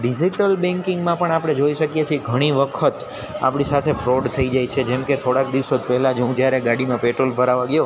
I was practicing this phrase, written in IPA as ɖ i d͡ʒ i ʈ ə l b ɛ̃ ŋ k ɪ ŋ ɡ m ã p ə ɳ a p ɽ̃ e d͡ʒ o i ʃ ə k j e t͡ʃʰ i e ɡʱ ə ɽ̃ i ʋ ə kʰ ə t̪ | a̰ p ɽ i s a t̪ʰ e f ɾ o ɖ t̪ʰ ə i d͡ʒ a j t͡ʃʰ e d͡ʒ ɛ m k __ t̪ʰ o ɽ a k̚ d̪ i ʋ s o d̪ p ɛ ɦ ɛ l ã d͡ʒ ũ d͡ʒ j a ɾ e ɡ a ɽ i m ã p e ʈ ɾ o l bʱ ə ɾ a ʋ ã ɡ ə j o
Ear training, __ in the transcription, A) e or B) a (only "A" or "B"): A